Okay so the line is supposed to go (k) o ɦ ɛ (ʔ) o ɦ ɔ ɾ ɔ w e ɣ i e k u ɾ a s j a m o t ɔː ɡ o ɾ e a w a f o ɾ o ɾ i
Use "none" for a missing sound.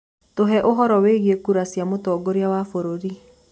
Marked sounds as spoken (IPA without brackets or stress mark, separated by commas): t, ʔ